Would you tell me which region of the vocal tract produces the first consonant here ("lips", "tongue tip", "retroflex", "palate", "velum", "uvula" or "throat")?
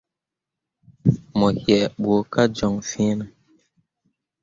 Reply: lips